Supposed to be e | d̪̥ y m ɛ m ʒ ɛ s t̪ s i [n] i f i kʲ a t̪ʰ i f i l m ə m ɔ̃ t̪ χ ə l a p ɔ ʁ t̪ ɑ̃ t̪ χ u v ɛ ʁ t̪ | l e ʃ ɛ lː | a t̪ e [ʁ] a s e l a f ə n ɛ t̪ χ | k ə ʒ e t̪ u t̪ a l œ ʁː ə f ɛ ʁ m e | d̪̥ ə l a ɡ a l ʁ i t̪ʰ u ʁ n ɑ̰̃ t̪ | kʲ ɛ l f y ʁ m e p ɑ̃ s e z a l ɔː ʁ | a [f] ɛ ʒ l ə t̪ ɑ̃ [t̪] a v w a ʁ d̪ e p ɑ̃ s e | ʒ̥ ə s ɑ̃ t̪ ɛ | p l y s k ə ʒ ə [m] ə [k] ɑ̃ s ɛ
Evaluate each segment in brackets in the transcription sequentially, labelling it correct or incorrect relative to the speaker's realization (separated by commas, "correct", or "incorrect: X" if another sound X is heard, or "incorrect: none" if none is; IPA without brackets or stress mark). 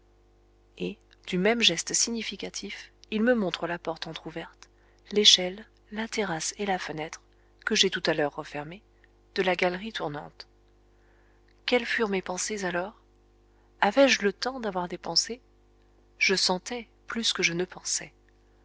incorrect: ɲ, correct, incorrect: v, incorrect: d̪, incorrect: n, incorrect: p